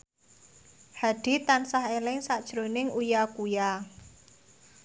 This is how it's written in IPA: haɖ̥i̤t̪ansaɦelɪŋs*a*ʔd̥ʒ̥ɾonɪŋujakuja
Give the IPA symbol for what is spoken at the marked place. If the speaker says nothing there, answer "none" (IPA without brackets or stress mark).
a